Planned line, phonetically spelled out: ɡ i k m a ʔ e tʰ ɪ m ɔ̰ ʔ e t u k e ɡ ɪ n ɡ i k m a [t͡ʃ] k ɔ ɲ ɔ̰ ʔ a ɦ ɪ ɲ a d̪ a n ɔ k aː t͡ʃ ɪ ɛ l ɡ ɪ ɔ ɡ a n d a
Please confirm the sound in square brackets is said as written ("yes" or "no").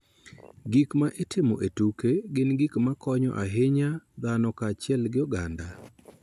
no